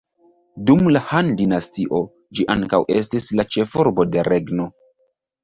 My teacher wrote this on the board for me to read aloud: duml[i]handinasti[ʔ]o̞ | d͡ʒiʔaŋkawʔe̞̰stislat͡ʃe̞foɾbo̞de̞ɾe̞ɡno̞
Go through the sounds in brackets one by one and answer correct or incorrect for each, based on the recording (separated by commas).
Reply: incorrect, correct